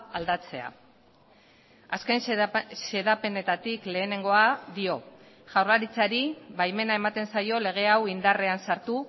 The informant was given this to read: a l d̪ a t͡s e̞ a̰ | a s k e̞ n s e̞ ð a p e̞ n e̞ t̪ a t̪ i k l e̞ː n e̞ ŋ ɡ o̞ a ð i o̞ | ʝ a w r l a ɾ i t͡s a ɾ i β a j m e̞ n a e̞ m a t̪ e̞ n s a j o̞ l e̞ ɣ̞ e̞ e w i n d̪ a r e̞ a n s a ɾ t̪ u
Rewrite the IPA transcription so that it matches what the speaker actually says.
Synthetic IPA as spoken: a l d̪ a t͡s e̞ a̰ | a s k e̞ n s e̞ ð a p e̞ n e̞ t̪ a t̪ i k l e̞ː n e̞ ŋ ɡ o̞ a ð i o̞ | ʝ a w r l a ɾ i t͡s a ɾ i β a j m e̞ n a e̞ m a t̪ e̞ n s a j o̞ l e̞ ɣ̞ e̞ a w i n d̪ a r e̞ a n s a ɾ t̪ u